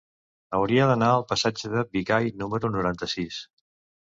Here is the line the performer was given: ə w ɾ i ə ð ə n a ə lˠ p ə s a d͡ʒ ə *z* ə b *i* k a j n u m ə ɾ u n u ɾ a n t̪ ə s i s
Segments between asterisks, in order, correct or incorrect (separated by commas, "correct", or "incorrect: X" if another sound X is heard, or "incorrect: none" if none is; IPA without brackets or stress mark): incorrect: ð, correct